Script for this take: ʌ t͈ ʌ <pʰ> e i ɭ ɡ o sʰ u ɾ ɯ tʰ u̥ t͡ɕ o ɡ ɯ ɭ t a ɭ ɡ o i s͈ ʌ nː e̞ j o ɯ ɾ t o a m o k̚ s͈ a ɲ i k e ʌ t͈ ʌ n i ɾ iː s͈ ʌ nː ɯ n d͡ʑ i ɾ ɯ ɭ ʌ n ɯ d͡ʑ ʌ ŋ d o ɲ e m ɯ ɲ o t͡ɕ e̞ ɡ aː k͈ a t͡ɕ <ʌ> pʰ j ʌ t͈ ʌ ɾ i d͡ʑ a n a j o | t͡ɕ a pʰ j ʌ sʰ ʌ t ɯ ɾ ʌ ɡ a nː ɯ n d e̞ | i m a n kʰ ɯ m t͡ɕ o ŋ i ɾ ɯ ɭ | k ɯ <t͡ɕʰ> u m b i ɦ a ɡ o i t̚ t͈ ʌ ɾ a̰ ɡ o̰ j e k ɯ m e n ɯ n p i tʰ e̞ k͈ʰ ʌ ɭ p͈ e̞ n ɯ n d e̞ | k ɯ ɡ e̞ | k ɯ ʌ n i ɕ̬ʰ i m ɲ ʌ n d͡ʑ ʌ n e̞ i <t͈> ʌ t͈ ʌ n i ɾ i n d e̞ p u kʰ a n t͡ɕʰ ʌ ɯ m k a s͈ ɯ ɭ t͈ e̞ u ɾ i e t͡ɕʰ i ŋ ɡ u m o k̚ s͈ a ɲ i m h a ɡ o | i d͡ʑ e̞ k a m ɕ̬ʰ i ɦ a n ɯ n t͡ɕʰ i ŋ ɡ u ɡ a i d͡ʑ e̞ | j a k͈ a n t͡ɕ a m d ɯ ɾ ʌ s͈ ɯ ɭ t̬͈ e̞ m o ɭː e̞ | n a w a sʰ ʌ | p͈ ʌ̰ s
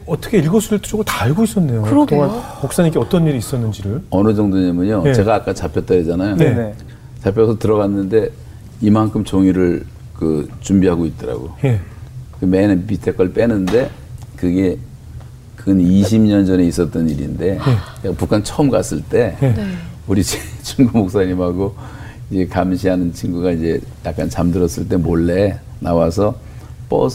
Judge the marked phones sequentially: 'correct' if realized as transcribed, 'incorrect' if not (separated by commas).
incorrect, incorrect, incorrect, incorrect